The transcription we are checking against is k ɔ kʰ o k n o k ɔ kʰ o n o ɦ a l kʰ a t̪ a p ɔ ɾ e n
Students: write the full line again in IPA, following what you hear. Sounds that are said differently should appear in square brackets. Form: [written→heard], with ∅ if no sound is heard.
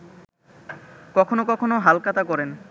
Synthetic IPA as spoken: k ɔ kʰ o [k→∅] n o k ɔ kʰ o n o ɦ a l [kʰ→k] a t̪ a [p→k] ɔ ɾ e n